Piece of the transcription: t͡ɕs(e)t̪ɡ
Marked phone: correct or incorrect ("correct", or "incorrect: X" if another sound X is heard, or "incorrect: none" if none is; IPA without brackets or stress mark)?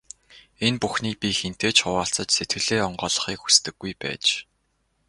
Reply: correct